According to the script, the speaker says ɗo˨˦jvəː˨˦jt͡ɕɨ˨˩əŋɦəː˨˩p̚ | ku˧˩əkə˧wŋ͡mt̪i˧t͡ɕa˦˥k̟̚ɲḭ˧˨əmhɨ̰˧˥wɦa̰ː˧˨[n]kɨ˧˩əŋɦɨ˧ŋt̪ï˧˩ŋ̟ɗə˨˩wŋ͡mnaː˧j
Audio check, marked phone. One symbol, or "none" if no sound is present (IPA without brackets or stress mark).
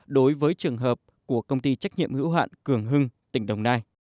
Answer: n